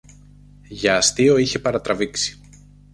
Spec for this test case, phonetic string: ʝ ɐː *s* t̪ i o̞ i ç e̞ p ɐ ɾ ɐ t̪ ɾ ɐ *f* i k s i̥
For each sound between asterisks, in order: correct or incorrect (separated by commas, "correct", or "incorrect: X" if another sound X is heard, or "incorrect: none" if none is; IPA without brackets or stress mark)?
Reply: correct, incorrect: v